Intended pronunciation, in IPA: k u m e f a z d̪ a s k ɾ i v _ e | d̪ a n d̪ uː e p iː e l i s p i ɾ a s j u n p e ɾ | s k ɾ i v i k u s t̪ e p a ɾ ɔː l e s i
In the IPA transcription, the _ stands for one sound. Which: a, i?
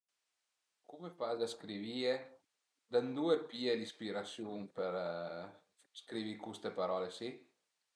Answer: i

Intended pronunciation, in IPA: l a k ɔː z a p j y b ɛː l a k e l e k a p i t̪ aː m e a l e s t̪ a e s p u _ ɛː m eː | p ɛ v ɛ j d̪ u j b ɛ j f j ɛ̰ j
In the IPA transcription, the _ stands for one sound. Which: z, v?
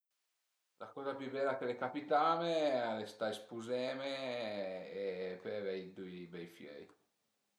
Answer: z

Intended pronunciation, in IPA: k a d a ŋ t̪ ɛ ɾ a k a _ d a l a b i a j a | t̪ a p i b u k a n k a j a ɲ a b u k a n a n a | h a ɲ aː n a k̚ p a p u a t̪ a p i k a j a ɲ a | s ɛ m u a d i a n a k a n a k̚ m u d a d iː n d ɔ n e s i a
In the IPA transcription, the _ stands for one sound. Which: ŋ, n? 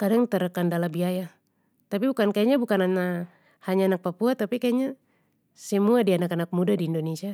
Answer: n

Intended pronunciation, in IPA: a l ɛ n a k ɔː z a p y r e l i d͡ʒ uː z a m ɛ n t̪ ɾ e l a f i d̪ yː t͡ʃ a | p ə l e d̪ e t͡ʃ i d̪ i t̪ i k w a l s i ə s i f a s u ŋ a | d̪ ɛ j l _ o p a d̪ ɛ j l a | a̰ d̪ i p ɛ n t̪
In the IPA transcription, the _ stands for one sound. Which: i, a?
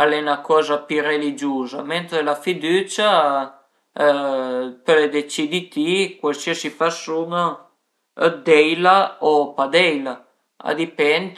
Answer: a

